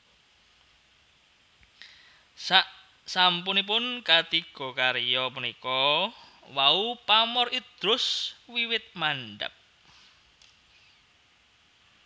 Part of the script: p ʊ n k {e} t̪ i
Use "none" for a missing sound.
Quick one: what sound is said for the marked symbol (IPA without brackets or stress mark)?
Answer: a